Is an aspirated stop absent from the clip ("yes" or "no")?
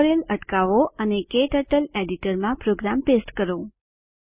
yes